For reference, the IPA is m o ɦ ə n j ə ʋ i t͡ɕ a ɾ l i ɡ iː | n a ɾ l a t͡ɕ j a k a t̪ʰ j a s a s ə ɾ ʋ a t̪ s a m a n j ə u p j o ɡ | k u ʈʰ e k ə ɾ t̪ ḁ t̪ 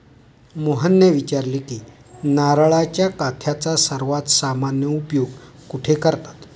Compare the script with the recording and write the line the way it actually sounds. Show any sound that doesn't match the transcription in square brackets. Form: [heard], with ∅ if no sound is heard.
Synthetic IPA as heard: m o ɦ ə n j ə ʋ i t͡ɕ a ɾ l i [k] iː | n a ɾ [ɭ] a t͡ɕ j a k a t̪ʰ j a [t͡s] a s ə ɾ ʋ a t̪ s a m a n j ə u p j o ɡ | k u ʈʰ e k ə ɾ t̪ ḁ t̪